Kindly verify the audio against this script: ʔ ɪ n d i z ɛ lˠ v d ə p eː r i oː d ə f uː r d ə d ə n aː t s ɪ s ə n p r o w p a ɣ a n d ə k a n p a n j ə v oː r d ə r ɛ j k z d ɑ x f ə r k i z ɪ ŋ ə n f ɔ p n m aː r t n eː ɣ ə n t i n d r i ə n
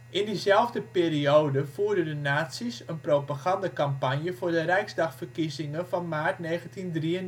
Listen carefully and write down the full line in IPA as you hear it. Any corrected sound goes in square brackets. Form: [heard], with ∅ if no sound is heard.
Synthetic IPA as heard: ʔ ɪ n d i z ɛ lˠ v d ə p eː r i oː d ə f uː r d ə d ə n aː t s [i] s ə n p r o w p a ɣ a n d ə k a [m] p a n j ə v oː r d ə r ɛ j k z d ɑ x f ə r k i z ɪ ŋ ə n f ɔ [∅] n m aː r t n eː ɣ ə n t i n d r i ə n